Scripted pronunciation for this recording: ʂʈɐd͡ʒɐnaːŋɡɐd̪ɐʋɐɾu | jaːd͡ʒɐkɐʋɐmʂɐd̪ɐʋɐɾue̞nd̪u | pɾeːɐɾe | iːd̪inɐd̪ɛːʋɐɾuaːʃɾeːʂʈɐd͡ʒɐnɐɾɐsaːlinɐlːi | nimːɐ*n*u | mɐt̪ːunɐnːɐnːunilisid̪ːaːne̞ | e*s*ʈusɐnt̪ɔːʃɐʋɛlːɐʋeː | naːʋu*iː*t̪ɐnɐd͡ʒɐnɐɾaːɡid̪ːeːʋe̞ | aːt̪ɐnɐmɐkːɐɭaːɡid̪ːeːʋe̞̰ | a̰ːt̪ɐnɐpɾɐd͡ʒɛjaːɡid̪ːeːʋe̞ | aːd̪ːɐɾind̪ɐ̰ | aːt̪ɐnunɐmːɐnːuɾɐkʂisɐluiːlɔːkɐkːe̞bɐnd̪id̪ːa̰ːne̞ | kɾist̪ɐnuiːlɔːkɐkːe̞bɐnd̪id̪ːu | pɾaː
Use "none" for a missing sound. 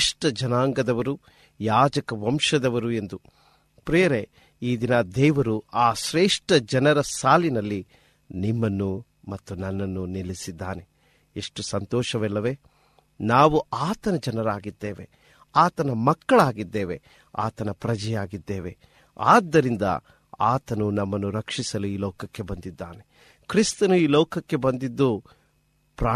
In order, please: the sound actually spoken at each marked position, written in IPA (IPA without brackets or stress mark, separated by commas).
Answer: nː, ʂ, aː